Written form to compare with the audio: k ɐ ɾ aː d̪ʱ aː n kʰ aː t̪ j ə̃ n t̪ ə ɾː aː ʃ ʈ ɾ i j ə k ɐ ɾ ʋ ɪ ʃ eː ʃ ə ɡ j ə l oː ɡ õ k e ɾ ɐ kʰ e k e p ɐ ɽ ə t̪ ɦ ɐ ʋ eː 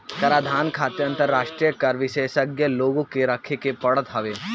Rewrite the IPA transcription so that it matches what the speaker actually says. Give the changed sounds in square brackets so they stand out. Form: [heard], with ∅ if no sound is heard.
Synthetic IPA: k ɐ ɾ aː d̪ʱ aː n kʰ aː t̪ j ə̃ n t̪ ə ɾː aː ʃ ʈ ɾ i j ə k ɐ ɾ ʋ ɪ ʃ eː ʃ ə ɡ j ə l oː ɡ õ k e ɾ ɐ kʰ e k e p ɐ ɽ ə t̪ ɦ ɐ ʋ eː